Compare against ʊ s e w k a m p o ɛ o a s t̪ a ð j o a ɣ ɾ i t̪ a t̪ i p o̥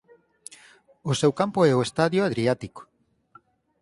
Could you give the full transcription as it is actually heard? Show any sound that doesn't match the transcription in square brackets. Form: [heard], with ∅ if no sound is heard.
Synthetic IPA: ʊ s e w k a m p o ɛ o [e] s t̪ a ð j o a [ð] ɾ i [∅] a t̪ i [k] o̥